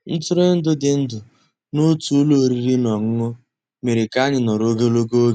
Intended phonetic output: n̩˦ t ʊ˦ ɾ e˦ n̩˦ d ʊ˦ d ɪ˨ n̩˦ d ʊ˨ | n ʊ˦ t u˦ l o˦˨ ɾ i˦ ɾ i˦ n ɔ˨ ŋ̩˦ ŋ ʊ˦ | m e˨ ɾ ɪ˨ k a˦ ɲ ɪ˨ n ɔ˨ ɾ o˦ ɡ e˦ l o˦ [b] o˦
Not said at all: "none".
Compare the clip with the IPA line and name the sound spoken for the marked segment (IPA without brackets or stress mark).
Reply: ɡ